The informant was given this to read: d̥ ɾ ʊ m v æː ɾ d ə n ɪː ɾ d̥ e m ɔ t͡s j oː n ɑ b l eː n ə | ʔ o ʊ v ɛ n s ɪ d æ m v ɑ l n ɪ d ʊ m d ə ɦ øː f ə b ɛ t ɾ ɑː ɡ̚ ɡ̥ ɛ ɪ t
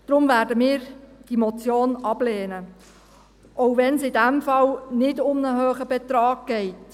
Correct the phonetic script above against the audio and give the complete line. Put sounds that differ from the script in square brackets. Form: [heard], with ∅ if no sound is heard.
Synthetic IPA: d̥ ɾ ʊ m v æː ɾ d ə [m] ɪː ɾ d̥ [i] m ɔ t͡s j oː n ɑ b l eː n ə | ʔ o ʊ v ɛ n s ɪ d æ m [f] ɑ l n ɪ d ʊ m [n] ə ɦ øː [χ] ə b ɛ t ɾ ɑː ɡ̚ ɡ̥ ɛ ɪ t